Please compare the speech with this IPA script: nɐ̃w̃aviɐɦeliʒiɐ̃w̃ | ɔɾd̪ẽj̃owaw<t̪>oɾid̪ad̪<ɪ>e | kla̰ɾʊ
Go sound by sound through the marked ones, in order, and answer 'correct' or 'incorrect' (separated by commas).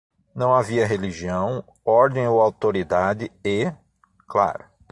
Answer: correct, correct